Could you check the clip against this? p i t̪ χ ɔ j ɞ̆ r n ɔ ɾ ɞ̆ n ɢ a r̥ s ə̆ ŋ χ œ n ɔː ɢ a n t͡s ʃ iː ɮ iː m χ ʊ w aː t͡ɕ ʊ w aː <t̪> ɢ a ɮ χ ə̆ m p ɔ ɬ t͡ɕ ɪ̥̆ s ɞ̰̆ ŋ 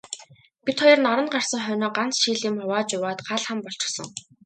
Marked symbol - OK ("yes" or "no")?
yes